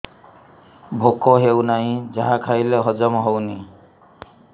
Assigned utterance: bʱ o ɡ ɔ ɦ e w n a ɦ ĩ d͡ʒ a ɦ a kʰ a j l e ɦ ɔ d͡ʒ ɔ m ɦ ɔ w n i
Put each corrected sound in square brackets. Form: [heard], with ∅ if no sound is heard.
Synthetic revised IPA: bʱ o [k] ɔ ɦ e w n a ɦ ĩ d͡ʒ a ɦ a kʰ a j l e ɦ ɔ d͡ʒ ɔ m ɦ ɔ w n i